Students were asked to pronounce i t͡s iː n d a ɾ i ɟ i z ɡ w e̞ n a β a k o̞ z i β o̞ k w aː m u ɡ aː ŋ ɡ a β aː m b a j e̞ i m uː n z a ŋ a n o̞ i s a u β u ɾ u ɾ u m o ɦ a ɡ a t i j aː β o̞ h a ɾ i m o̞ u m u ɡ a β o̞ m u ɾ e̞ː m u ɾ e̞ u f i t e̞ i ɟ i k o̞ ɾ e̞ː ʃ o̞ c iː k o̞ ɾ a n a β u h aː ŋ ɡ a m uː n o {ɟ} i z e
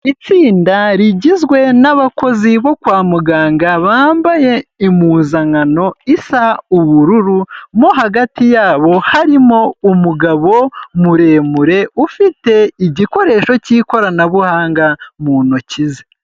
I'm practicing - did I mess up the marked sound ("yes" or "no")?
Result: yes